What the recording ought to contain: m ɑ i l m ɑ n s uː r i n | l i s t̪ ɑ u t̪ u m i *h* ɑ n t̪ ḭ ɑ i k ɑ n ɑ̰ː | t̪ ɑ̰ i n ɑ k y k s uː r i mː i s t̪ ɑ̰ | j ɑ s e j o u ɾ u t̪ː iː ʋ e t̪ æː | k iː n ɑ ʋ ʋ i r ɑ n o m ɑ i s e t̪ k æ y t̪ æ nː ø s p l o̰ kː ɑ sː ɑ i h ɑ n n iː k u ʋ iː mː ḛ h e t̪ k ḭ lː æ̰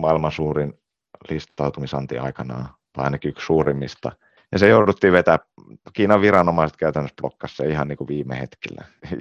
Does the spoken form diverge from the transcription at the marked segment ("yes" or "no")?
yes